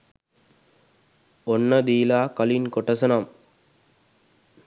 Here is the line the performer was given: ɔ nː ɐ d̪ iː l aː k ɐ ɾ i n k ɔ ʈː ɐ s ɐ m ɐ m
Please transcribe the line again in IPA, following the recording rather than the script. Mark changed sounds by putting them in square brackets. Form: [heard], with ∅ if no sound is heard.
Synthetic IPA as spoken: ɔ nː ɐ d̪ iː l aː k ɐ [l] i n k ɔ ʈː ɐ s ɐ [n] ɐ m